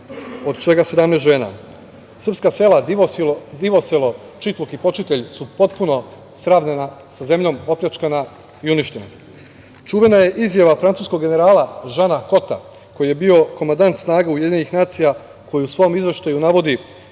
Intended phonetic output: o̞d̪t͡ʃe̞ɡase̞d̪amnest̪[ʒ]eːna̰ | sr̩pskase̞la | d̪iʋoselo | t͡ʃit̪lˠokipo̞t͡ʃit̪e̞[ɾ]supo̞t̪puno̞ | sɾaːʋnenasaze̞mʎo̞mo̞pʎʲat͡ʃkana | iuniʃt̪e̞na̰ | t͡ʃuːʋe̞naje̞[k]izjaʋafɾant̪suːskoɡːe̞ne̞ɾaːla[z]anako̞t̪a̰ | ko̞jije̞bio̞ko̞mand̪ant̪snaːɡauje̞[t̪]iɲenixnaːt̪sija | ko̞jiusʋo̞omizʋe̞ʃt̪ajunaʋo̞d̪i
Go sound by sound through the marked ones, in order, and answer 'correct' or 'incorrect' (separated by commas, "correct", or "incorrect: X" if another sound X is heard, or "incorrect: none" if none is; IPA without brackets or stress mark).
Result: correct, incorrect: ʎ, incorrect: ʔ, incorrect: ʒ, incorrect: d̪